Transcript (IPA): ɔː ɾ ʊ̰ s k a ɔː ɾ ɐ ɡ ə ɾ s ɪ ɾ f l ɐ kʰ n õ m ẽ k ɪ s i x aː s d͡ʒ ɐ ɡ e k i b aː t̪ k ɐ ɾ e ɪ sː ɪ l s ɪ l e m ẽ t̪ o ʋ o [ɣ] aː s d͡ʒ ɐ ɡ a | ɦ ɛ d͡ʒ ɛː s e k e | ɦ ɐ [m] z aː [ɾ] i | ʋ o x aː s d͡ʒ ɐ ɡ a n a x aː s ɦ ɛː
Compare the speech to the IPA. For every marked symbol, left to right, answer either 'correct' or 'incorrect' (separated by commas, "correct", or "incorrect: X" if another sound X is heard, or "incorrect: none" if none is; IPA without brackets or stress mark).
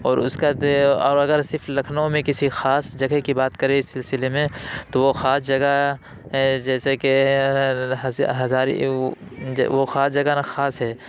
incorrect: x, incorrect: none, correct